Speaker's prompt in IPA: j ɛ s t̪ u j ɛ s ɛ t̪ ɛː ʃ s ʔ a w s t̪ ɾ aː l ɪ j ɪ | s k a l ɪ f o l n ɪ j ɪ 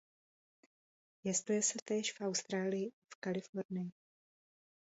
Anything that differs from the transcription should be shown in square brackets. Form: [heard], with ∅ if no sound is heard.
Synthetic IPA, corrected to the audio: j ɛ s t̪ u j ɛ s ɛ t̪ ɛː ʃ [f] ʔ a w s t̪ ɾ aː l ɪ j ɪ | [f] k a l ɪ f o [ɾ] n ɪ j ɪ